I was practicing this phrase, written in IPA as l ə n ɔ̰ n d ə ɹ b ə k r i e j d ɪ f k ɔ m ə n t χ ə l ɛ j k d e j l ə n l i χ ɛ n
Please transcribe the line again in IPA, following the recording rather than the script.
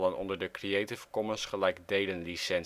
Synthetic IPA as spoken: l ə n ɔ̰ n d ə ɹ d ə k r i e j t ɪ f k ɔ m ə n s χ ə l ɛ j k d e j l ə n l i s ɛ n